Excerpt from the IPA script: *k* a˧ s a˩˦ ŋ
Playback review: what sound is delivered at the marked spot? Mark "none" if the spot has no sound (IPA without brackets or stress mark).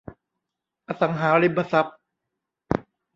ʔ